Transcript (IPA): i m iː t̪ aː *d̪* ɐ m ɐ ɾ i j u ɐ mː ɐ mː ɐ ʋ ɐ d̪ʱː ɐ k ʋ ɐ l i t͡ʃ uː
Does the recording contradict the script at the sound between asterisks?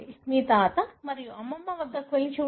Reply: yes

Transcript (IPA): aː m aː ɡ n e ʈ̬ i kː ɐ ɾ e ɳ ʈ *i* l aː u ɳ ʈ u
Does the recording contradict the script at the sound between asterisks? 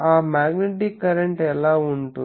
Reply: yes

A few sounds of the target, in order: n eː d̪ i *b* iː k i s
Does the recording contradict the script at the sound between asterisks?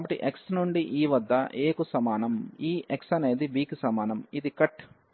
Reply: no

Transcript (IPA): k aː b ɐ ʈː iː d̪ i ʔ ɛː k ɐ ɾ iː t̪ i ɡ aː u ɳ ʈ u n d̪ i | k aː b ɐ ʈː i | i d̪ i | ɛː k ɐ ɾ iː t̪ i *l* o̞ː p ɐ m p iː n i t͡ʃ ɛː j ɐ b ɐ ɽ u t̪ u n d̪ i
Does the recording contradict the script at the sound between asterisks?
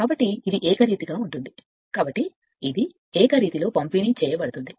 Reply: no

